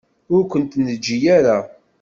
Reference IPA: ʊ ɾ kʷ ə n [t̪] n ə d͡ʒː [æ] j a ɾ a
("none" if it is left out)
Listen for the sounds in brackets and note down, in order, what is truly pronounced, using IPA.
t̪, i

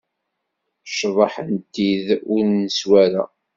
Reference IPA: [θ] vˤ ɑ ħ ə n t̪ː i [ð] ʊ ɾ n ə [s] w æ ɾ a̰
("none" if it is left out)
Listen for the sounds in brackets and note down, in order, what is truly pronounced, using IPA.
ʃ, ð, s

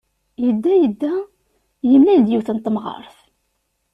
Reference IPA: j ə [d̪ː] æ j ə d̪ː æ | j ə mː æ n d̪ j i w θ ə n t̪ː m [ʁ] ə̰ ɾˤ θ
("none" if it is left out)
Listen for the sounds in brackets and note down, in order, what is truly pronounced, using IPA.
d̪ː, ʁ

